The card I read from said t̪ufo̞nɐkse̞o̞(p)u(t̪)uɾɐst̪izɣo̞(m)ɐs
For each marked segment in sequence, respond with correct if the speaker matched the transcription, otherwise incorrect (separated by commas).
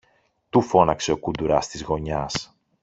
incorrect, incorrect, incorrect